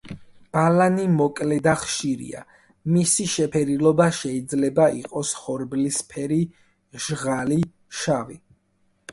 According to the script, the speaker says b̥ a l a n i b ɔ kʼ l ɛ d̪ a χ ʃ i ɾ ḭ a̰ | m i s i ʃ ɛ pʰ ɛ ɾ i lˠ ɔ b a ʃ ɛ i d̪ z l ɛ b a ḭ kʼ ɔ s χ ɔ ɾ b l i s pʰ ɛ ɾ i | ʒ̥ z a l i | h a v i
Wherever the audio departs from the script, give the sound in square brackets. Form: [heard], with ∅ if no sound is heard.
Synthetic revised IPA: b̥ a l a n i [m] ɔ kʼ l ɛ d̪ a χ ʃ i ɾ ḭ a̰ | m i s i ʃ ɛ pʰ ɛ ɾ i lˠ ɔ b a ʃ ɛ i d̪ z l ɛ b a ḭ [qʼ] ɔ s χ ɔ ɾ b l i s pʰ ɛ ɾ i | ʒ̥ [ʁ] a l i | [ʃ] a v i